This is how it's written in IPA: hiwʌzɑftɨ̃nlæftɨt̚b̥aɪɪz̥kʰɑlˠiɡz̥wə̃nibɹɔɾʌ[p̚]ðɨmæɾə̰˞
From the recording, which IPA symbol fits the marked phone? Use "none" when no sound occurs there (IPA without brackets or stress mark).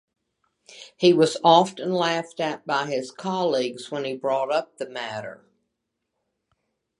p̚